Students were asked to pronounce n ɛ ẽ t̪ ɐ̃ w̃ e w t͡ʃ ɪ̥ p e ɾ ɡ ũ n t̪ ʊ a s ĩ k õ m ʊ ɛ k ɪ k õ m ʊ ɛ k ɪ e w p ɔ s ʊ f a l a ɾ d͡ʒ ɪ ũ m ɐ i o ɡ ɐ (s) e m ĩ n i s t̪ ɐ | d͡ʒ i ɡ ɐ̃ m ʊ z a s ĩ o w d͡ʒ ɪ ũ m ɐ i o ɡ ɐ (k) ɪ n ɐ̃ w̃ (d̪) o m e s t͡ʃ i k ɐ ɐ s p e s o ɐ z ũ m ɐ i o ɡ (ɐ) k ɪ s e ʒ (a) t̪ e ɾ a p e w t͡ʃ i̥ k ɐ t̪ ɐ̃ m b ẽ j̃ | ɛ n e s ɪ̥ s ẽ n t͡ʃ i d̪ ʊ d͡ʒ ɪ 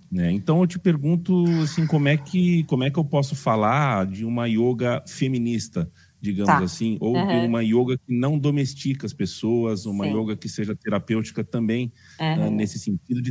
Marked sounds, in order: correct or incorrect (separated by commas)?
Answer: incorrect, correct, correct, correct, incorrect